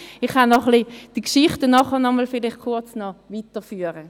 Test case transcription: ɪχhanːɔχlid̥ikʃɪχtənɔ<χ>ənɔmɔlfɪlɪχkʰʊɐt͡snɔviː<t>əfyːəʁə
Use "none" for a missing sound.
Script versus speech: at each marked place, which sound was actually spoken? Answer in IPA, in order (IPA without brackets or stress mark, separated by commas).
χ, t